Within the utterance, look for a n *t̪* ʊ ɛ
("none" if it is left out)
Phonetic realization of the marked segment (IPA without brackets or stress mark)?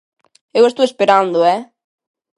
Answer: d̪